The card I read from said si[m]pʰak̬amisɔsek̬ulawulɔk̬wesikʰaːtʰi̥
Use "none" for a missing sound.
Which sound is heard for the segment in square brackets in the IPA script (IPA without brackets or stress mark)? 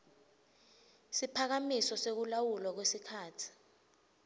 none